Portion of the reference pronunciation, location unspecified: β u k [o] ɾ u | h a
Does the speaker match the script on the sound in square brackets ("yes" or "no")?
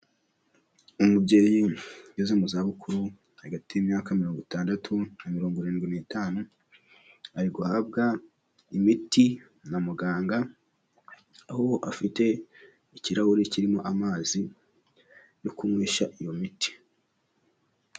no